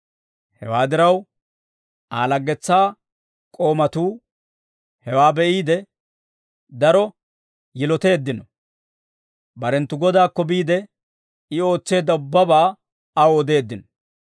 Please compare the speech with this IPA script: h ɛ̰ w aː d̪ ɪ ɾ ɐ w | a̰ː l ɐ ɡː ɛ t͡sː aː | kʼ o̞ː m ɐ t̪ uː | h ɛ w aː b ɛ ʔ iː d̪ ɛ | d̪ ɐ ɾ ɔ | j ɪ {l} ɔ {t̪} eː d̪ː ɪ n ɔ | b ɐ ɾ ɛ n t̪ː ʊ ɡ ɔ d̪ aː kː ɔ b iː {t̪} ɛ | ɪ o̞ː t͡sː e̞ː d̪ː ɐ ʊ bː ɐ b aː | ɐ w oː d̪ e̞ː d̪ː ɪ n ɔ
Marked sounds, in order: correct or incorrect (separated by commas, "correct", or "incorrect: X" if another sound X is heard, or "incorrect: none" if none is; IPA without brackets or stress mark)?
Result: correct, correct, incorrect: d̪